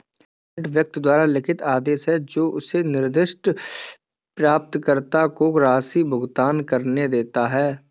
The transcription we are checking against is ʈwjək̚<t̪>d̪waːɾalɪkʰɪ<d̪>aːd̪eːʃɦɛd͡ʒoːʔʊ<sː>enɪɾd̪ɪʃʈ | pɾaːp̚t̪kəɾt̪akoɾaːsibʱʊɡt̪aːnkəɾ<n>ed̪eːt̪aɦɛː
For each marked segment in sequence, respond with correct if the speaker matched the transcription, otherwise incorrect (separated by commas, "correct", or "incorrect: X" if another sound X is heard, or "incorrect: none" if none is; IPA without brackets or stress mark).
correct, incorrect: t̪, incorrect: s, correct